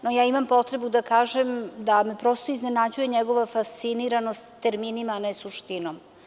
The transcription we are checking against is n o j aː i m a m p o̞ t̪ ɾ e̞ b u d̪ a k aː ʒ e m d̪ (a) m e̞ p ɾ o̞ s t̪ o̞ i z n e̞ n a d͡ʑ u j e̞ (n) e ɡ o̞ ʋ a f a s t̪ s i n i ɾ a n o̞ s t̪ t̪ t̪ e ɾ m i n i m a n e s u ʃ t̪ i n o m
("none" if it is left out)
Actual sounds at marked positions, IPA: a, ɲ

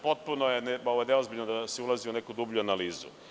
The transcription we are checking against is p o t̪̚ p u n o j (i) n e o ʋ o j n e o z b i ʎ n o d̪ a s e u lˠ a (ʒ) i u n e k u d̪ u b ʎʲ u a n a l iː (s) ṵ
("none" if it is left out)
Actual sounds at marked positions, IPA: e, z, z

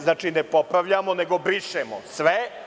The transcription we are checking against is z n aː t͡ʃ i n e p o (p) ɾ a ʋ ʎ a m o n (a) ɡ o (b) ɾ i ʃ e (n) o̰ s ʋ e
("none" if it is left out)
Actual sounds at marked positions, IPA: p, e, b, m

